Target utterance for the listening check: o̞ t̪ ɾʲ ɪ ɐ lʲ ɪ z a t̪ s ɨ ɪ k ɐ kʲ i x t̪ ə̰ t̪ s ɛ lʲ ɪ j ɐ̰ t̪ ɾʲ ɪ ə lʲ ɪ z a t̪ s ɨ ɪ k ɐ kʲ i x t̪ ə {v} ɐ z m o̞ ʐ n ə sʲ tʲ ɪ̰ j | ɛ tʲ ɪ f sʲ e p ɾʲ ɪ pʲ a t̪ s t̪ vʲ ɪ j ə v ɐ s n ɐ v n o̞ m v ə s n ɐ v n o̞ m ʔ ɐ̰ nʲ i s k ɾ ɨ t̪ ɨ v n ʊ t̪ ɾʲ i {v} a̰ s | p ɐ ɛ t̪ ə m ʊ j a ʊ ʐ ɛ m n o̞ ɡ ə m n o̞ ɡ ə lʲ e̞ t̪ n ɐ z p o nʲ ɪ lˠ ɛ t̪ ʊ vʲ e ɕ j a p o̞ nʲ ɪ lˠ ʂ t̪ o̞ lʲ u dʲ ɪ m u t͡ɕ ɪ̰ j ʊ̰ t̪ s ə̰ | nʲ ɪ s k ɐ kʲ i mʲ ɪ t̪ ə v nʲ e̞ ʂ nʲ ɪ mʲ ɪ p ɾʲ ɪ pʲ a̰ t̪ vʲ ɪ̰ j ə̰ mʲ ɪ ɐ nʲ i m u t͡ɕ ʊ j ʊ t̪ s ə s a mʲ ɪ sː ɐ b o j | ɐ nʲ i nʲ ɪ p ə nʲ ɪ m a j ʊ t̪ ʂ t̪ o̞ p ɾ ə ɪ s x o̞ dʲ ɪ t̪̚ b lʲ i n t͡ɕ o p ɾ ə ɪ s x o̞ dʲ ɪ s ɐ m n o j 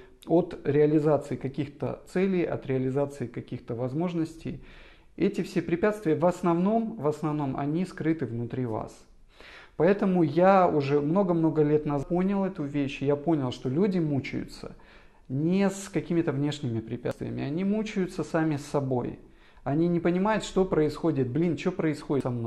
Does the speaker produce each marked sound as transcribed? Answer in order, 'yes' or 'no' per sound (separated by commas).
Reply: yes, yes